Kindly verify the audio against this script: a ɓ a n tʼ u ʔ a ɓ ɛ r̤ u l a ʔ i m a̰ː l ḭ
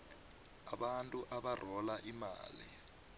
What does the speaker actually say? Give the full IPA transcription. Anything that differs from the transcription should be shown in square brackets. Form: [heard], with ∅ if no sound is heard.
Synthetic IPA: a ɓ a n tʼ u ʔ a ɓ [a] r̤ [ɔ] l a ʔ i m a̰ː l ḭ